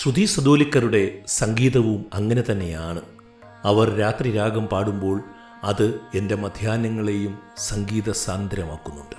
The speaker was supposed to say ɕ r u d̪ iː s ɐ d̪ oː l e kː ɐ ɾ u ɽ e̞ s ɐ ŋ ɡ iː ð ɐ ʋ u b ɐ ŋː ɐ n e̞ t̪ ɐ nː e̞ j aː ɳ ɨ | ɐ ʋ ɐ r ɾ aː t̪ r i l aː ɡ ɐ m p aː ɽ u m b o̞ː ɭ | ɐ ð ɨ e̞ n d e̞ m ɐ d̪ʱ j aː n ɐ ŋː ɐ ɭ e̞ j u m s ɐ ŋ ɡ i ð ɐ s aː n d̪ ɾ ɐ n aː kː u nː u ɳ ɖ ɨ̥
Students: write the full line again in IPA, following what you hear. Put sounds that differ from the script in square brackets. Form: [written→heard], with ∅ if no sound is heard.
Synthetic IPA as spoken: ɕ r u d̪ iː s ɐ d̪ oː l [e→i] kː ɐ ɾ u ɽ e̞ s ɐ ŋ ɡ iː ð ɐ ʋ u [b→m] ɐ ŋː ɐ n e̞ t̪ ɐ nː e̞ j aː ɳ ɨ | ɐ ʋ ɐ r ɾ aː t̪ r i [l→ɾ] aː ɡ ɐ m p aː ɽ u m b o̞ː ɭ | ɐ ð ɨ e̞ n d e̞ m ɐ d̪ʱ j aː n ɐ ŋː ɐ ɭ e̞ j u m s ɐ ŋ ɡ [i→iː] ð ɐ s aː n d̪ ɾ ɐ [n→m] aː kː u nː u ɳ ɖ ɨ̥